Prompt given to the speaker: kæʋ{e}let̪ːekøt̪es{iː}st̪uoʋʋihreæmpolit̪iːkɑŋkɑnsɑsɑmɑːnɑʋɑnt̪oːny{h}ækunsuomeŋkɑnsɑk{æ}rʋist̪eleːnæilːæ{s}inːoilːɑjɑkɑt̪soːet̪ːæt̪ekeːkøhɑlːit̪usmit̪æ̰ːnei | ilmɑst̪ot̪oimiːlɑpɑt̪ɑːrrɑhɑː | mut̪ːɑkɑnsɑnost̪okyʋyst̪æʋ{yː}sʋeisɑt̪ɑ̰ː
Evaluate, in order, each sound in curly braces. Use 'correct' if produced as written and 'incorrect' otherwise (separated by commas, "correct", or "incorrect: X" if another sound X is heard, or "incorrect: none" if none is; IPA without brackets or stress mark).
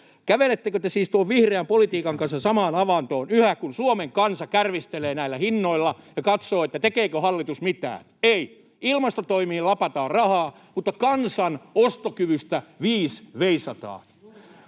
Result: correct, correct, correct, correct, incorrect: h, incorrect: iː